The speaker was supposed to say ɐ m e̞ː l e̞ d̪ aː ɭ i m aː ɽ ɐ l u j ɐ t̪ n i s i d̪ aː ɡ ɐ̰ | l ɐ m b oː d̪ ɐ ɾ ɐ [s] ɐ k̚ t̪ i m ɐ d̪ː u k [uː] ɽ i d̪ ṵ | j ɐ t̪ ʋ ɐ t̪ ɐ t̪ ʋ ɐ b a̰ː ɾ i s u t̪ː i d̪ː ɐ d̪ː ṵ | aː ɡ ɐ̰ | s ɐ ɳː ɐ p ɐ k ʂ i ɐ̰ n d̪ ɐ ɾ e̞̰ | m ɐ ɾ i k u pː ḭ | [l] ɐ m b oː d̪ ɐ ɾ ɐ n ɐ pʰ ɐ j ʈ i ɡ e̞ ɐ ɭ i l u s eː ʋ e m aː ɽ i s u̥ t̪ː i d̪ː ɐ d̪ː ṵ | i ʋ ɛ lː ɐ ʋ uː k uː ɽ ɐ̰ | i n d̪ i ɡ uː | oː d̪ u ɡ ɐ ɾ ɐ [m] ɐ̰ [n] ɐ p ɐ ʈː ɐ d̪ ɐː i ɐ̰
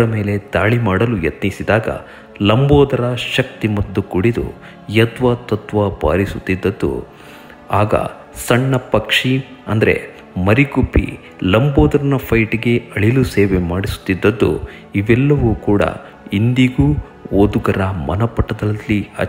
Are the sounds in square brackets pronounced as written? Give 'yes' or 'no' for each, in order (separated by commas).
no, no, yes, yes, yes